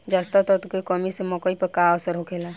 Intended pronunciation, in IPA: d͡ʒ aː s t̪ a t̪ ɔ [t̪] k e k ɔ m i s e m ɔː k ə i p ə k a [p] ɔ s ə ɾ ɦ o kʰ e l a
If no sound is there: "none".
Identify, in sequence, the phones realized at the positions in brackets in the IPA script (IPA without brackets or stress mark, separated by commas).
t̪, none